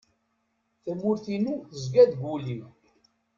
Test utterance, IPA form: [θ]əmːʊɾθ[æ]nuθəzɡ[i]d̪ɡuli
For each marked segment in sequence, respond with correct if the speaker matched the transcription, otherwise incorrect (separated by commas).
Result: correct, incorrect, incorrect